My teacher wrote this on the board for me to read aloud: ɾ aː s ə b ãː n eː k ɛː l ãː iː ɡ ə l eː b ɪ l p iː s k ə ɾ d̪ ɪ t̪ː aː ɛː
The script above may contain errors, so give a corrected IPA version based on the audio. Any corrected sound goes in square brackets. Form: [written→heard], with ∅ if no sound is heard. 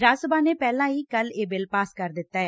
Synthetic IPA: ɾ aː s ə b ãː n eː [k→p] ɛː l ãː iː [ɡ→k] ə l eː b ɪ l p [iː→aː] s k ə ɾ d̪ ɪ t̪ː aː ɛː

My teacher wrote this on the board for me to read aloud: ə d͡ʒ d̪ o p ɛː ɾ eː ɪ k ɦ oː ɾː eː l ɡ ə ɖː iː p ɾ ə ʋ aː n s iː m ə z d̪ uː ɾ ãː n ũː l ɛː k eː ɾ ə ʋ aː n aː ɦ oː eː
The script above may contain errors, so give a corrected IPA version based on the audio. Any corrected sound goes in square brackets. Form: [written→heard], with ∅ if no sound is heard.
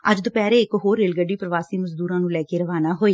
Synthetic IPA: ə d͡ʒ d̪ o p ɛː ɾ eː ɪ k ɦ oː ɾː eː l ɡ ə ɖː iː p ɾ ə ʋ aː [n→∅] s iː m ə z d̪ uː ɾ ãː n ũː l ɛː k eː ɾ ə ʋ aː n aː ɦ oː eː

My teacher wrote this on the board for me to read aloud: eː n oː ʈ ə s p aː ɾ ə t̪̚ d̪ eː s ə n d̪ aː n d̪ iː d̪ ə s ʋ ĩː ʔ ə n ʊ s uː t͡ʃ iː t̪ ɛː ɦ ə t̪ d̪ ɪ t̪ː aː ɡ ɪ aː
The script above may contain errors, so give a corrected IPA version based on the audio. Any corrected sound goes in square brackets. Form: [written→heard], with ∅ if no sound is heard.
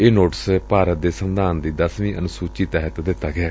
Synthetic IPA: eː n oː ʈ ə s p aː ɾ ə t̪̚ d̪ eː s ə n d̪ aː n d̪ iː d̪ ə s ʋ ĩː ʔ ə n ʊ s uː t͡ʃ iː t̪ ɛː ɦ ə t̪ d̪ ɪ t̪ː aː ɡ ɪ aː

